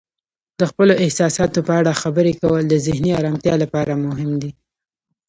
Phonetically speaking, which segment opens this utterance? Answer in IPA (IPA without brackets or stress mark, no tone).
d̪